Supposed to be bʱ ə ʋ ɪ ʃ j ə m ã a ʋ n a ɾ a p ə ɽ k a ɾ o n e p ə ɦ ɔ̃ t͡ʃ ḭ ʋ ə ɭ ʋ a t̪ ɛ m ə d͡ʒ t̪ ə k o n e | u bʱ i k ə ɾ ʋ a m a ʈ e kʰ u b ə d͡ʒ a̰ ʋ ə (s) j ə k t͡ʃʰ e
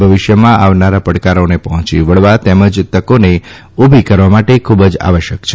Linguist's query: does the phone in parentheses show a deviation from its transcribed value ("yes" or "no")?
yes